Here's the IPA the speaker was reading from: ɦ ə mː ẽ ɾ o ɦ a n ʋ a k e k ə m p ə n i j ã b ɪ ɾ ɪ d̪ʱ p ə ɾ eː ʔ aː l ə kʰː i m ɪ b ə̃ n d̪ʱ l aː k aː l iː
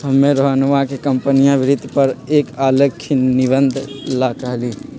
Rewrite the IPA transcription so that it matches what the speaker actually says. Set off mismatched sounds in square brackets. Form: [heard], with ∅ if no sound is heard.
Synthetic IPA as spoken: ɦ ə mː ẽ ɾ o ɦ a n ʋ a k e k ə m p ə n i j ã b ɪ ɾ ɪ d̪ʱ p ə ɾ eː [k] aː l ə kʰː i [n] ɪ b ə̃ n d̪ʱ l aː k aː l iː